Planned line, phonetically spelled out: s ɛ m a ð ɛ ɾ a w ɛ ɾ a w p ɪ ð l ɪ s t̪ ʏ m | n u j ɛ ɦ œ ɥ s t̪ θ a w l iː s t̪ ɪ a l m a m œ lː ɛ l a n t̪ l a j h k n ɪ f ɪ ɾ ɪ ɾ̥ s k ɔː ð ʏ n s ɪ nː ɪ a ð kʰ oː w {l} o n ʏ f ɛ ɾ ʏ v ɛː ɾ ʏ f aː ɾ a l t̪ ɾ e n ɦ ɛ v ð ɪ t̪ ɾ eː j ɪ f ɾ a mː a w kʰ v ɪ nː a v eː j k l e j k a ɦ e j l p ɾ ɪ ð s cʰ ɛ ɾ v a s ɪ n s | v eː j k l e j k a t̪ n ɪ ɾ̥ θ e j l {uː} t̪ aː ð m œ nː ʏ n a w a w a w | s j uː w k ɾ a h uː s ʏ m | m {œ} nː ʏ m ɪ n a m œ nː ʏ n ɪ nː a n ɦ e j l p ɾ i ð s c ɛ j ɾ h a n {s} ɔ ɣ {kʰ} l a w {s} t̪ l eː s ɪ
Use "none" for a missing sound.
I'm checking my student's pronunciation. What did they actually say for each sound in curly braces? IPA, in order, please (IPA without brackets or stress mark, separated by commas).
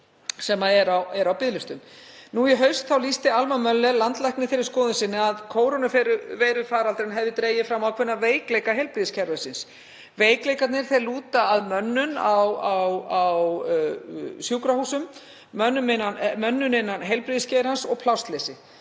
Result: ɾ, uː, œ, s, pʰ, s